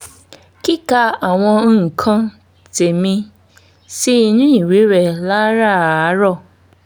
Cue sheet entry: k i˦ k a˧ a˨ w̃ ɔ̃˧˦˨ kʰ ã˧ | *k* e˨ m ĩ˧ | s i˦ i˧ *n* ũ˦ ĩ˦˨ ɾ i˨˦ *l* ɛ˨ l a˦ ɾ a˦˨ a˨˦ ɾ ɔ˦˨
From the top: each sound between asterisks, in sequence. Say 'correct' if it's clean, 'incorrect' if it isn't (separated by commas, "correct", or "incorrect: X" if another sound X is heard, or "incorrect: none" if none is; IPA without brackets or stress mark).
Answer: incorrect: t, correct, incorrect: ɾ